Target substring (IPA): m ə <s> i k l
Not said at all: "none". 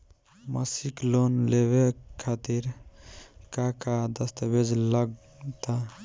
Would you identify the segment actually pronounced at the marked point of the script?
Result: s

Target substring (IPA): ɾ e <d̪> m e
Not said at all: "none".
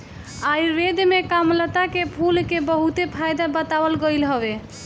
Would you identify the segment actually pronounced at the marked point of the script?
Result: d̪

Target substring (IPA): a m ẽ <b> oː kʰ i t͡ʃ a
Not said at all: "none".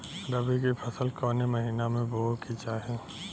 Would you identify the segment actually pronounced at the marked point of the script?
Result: b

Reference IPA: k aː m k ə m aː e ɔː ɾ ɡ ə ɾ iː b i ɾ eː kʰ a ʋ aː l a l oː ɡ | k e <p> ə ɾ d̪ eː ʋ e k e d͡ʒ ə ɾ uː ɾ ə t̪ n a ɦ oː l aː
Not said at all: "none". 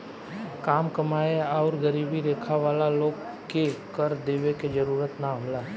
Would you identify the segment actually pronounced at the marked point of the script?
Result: k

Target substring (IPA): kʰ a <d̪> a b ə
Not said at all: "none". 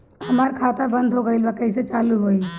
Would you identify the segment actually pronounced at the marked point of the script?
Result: t̪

